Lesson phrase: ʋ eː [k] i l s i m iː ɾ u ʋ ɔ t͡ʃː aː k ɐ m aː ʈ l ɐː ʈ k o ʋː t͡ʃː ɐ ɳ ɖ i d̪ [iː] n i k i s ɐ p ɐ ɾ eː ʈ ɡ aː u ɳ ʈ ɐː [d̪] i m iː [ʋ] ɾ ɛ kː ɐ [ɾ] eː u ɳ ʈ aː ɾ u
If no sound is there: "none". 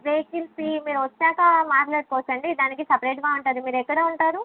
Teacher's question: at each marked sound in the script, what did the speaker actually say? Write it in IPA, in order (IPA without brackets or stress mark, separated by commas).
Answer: k, aː, d̪, none, ɽ